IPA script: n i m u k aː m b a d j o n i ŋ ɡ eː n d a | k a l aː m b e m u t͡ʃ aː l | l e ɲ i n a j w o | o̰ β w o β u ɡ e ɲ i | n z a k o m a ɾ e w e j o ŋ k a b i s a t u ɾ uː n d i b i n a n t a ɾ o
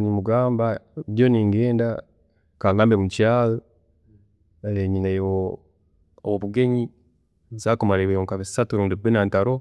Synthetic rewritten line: n i m u ɡ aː m b a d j o n i ŋ ɡ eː n d a | k a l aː m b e m u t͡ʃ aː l | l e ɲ i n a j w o | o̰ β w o β u ɡ e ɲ i | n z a k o m a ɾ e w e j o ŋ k a β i s a t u ɾ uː n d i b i n a n t a ɾ o